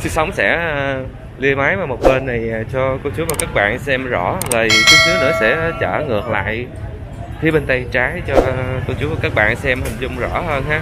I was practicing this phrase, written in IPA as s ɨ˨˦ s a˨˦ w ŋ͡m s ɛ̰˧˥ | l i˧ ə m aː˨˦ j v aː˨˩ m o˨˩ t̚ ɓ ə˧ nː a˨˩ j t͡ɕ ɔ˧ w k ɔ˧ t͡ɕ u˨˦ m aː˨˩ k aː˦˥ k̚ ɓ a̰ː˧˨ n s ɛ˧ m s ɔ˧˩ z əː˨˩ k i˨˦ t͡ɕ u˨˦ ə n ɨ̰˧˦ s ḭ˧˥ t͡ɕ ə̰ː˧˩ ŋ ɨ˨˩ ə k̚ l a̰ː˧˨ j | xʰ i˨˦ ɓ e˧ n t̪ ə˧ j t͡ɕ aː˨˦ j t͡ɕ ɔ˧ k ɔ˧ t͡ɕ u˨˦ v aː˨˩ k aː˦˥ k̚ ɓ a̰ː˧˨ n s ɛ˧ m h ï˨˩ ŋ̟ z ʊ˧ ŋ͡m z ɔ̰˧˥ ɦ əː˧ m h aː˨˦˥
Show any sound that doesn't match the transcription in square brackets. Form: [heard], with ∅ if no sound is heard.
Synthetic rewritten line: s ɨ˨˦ s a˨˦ w ŋ͡m s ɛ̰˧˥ | l i˧ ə m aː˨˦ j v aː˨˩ m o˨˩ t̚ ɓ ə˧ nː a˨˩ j t͡ɕ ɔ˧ [∅] k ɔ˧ t͡ɕ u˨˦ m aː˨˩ k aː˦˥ k̚ ɓ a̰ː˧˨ n s ɛ˧ m [z] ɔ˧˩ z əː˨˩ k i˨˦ t͡ɕ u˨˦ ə n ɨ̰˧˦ s [ɛ̰˧˥] t͡ɕ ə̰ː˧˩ ŋ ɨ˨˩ ə k̚ l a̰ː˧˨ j | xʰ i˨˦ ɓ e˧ n t̪ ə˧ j t͡ɕ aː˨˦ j t͡ɕ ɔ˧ k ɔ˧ t͡ɕ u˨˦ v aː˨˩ k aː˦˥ k̚ ɓ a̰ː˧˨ n s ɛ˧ m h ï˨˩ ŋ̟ z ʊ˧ ŋ͡m z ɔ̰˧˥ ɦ əː˧ [n] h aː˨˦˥